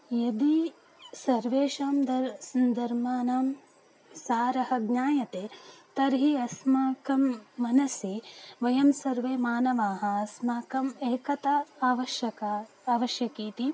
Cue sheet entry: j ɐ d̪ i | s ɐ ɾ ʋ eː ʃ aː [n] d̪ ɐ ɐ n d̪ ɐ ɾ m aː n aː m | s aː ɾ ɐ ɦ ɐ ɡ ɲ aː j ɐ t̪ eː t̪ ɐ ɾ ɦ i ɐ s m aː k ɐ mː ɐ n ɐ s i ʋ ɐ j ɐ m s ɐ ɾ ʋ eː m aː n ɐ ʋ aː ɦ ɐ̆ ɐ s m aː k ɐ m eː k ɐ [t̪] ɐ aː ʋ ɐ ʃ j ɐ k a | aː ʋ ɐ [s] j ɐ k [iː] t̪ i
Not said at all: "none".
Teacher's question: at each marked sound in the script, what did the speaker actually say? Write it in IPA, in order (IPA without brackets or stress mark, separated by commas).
m, t̪, ʃ, iː